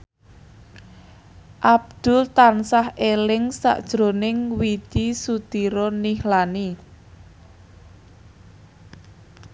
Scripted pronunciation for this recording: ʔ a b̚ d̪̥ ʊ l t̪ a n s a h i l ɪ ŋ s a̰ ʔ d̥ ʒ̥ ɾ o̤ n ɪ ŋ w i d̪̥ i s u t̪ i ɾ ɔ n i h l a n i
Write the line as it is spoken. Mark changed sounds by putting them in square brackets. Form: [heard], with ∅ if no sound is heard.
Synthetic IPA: ʔ a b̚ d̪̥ ʊ l t̪ a n s a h [e] l ɪ ŋ s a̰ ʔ d̥ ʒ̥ ɾ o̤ n ɪ ŋ w i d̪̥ i s u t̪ i ɾ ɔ n i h l a n i